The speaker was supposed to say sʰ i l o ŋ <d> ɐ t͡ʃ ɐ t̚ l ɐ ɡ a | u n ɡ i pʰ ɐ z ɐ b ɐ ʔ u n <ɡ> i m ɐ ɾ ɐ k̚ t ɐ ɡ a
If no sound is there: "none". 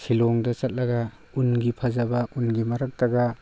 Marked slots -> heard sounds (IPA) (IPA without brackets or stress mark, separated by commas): d, ɡ